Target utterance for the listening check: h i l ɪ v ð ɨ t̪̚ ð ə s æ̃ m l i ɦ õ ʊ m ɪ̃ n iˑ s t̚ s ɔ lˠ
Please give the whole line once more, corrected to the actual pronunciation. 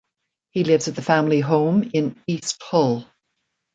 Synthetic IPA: h i l ɪ v z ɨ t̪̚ ð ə f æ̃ m l i ɦ õ ʊ̃ m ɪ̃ n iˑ s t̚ h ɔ lˠ